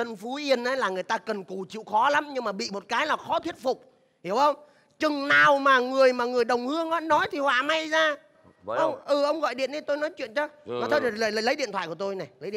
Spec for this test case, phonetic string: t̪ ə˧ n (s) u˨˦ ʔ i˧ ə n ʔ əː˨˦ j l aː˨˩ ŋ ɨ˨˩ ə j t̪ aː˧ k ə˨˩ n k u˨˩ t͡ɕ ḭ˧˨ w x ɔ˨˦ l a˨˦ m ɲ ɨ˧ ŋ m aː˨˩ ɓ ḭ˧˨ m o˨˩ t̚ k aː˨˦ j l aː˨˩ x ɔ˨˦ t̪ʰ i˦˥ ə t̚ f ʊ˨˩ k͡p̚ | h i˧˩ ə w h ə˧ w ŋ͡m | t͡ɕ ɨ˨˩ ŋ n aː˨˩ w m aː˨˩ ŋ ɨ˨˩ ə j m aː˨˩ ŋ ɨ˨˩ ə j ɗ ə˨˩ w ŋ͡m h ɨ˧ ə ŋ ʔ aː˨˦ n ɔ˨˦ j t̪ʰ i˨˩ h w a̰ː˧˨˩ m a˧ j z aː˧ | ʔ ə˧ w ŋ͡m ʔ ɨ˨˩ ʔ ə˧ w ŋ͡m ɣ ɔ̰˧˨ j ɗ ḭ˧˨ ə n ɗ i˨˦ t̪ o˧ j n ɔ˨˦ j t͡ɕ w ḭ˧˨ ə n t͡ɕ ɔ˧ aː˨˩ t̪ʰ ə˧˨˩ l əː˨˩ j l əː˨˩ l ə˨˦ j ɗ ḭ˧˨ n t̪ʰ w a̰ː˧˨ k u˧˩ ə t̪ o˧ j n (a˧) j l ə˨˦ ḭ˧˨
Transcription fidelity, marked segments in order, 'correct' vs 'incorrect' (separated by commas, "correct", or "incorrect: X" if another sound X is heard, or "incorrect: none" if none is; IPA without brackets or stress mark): incorrect: f, incorrect: a˨˩